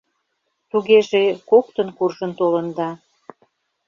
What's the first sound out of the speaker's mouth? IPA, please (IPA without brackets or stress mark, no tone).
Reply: t̪